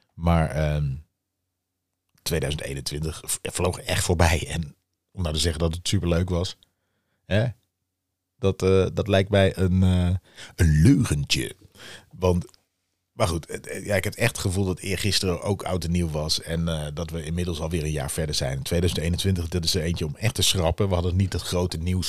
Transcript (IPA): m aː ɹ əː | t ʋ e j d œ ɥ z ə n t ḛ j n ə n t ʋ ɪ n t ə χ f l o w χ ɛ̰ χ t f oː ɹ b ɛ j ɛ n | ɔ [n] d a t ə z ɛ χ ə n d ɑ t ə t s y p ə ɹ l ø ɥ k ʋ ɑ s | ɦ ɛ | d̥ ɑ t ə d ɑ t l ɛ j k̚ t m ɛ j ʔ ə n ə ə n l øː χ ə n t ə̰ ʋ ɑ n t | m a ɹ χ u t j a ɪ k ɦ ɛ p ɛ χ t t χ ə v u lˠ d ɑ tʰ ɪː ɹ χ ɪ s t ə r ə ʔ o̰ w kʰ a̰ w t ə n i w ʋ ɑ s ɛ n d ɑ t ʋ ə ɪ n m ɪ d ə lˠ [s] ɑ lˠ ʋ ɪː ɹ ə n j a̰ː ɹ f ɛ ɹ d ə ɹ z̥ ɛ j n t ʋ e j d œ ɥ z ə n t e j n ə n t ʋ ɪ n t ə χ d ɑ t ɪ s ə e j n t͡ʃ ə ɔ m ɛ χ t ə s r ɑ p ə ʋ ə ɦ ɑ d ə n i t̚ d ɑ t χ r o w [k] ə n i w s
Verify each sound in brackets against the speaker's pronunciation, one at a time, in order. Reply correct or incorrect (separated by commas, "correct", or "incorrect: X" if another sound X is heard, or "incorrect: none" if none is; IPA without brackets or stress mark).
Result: incorrect: m, correct, incorrect: t